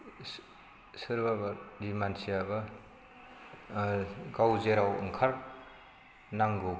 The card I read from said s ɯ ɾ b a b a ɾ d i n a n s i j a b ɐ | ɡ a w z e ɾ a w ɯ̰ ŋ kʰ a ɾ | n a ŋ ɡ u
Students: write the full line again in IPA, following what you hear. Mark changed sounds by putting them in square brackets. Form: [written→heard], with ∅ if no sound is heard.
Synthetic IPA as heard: s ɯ ɾ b a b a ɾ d i [n→m] a n s i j a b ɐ | ɡ a w z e ɾ a w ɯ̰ ŋ kʰ a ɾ | n a ŋ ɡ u